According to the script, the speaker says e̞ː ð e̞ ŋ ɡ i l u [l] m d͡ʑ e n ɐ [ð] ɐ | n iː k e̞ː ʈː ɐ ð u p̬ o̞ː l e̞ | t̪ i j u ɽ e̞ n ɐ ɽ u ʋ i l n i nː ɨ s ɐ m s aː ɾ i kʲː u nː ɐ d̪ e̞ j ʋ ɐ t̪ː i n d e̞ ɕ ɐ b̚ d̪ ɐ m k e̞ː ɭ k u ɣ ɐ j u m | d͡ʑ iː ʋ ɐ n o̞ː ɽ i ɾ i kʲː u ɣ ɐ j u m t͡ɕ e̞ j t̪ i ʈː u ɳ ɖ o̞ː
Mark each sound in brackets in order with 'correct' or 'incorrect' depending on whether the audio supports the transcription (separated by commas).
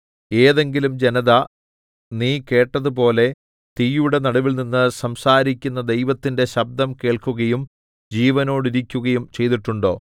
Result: incorrect, correct